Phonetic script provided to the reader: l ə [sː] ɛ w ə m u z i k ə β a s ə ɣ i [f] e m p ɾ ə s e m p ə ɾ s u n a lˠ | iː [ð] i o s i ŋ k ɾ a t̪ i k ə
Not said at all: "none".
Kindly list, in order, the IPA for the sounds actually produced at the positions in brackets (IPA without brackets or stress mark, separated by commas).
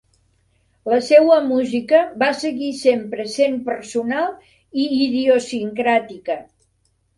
s, s, ð